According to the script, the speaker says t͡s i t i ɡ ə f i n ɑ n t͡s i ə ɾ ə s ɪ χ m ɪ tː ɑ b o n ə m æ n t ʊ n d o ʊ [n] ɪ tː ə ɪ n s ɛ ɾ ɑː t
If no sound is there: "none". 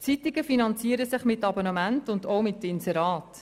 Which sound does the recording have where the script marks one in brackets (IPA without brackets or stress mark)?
m